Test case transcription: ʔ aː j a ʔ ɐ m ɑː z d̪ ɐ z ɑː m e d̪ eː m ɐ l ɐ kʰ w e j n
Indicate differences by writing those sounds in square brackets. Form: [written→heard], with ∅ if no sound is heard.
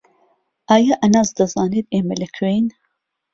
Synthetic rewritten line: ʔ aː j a ʔ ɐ [m→n] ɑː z d̪ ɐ z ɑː [m→n] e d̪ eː m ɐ l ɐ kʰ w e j n